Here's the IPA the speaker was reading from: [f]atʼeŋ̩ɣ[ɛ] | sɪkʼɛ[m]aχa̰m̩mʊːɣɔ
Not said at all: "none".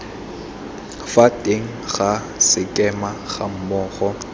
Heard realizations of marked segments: f, a, m

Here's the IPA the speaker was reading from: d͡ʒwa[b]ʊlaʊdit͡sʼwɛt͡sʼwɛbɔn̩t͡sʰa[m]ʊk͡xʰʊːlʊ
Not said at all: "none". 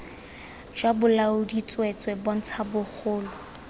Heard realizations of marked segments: b, b

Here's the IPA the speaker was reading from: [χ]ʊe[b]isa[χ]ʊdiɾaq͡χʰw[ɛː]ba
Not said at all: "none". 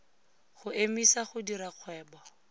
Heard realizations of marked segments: χ, m, χ, ɛː

